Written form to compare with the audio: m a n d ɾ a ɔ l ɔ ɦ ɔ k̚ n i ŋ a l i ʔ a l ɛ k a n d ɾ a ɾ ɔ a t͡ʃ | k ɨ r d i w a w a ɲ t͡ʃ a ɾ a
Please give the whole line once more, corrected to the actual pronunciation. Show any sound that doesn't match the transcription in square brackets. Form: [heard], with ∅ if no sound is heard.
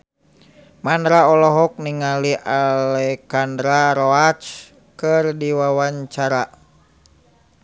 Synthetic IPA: m a n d ɾ a ɔ l ɔ ɦ ɔ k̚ n i ŋ a l i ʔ a l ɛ k a n d ɾ a ɾ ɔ a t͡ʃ | k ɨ r d i w a w a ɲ t͡ʃ a ɾ a